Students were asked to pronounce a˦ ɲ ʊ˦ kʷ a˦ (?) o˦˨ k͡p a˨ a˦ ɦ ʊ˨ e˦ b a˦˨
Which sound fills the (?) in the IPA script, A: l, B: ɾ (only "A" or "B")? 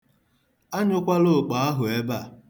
A